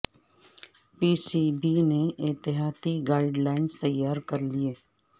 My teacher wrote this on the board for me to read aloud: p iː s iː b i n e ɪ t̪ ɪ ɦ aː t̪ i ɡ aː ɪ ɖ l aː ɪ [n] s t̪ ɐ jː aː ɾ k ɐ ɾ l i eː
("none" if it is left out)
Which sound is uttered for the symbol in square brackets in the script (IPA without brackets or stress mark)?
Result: n